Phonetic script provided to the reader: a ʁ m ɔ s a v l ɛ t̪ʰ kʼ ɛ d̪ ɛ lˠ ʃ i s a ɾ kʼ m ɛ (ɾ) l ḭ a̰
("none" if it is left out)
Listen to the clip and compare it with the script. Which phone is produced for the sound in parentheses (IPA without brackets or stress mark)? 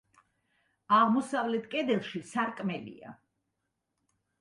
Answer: none